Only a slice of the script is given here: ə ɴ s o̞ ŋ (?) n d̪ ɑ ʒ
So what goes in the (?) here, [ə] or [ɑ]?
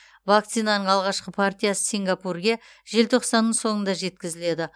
ə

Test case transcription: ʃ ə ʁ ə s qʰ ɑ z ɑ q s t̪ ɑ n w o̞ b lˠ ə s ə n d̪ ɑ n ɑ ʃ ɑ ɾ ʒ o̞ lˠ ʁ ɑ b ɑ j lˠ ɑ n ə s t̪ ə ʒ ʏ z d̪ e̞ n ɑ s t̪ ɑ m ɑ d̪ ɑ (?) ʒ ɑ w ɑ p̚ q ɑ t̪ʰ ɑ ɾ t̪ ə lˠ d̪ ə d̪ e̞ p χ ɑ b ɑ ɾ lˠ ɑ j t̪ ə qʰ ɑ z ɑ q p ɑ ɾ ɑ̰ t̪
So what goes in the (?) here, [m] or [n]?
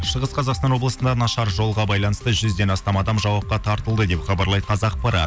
m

